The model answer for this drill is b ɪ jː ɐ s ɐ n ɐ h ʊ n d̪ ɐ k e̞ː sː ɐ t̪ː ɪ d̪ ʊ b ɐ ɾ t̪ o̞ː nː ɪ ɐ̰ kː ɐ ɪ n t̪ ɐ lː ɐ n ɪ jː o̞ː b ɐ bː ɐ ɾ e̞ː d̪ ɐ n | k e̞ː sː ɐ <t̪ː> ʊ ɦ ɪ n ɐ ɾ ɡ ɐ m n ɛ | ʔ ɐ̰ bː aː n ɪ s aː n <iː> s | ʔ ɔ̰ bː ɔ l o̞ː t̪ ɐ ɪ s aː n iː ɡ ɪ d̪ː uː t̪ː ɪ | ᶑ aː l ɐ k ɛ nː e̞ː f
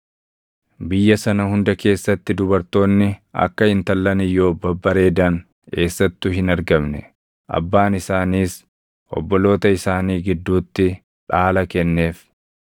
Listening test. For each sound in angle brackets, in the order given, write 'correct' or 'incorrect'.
correct, correct

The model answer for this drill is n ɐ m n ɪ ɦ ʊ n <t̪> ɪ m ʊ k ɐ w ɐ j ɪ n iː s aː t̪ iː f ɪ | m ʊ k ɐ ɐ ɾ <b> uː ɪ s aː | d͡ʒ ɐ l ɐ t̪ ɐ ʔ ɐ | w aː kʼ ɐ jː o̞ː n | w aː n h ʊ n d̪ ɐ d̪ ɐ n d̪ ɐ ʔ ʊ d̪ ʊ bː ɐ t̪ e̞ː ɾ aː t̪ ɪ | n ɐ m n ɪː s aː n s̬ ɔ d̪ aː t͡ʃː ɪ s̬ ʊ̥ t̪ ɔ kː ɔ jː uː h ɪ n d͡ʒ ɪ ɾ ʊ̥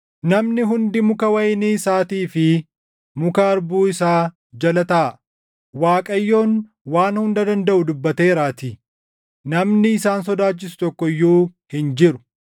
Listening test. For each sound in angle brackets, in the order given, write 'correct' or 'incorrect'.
incorrect: d̪, correct

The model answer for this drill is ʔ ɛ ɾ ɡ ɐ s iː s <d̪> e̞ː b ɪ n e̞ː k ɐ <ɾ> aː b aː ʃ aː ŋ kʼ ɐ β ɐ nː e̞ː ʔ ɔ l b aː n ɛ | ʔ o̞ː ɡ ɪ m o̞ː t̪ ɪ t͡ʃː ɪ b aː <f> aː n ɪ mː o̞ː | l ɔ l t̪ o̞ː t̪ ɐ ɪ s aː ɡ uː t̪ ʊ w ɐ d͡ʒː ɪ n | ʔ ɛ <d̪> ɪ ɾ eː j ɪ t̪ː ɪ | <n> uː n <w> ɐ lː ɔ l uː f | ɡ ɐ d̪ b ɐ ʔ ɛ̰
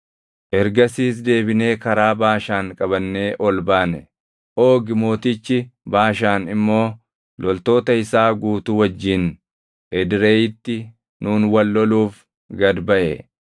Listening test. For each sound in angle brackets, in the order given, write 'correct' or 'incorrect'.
correct, correct, incorrect: ʃ, correct, correct, correct

